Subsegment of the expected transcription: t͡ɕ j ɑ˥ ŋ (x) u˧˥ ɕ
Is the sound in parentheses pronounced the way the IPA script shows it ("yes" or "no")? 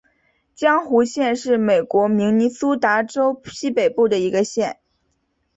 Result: yes